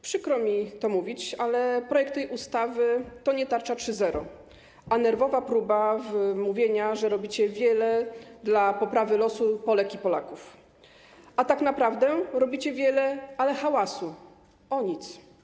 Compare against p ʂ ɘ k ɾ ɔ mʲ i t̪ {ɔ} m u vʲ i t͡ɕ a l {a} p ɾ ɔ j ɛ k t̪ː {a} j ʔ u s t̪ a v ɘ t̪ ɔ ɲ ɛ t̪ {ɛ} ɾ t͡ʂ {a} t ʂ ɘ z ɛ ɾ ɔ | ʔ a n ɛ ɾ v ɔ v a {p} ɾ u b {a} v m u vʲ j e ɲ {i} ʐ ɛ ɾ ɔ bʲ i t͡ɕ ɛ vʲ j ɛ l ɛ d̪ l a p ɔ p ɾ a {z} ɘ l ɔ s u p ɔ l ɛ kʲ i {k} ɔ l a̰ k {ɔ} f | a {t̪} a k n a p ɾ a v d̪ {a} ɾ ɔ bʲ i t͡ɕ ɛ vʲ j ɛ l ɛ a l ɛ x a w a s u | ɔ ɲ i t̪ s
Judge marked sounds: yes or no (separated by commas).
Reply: yes, no, no, no, yes, yes, yes, no, no, no, no, yes, no